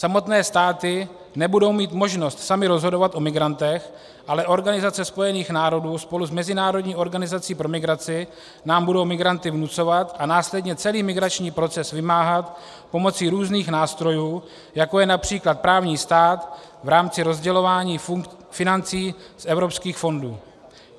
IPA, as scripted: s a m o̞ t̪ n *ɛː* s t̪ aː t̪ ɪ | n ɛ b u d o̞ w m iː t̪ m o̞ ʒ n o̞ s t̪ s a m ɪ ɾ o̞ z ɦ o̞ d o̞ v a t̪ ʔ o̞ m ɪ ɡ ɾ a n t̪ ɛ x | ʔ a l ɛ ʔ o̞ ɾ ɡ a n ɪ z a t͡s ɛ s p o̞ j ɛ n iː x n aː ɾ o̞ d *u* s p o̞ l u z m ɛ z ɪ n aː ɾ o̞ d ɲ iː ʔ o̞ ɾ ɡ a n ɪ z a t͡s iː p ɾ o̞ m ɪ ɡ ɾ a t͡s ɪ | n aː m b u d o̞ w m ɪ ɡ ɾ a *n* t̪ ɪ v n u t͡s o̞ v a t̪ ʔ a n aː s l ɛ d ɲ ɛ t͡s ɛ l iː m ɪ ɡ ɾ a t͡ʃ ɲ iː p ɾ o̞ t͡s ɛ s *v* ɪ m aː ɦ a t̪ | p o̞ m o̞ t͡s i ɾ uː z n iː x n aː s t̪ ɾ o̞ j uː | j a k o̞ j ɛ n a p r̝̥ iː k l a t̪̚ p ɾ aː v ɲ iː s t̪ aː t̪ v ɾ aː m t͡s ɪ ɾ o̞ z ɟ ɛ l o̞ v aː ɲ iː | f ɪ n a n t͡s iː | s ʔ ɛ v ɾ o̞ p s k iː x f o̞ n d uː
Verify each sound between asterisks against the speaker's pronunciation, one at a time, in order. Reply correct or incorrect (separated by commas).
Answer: correct, incorrect, correct, correct